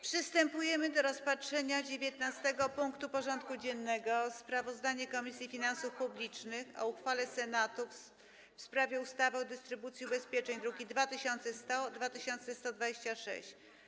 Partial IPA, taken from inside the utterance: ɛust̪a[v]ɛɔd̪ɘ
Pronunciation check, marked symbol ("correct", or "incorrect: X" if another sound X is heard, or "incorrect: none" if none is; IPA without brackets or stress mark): correct